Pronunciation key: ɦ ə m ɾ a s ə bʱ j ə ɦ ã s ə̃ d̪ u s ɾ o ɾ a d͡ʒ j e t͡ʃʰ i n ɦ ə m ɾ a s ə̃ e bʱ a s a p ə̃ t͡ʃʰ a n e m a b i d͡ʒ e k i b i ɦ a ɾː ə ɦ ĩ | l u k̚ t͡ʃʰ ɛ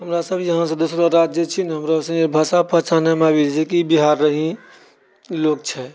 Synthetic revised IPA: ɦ ə m ɾ a s ə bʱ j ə ɦ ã s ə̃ d̪ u s ɾ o ɾ a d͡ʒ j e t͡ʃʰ i n ɦ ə m ɾ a s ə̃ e bʱ a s a p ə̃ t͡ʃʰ a n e m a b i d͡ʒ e k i b i ɦ a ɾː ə ɦ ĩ | l o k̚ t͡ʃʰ ɛ